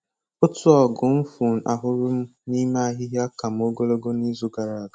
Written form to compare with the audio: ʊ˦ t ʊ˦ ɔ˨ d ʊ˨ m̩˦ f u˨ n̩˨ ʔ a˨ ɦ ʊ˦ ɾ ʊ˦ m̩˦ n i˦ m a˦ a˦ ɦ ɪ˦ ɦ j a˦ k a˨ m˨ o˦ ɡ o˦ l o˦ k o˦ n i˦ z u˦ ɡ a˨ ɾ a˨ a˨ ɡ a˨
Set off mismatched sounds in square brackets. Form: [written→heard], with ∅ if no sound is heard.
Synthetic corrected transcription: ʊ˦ t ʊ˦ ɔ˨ [d→ɡ] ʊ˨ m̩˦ f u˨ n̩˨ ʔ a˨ ɦ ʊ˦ ɾ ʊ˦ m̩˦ n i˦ m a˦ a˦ ɦ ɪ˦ ɦ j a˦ k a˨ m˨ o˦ ɡ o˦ l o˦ [k→ɡ] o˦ n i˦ z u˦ ɡ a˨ ɾ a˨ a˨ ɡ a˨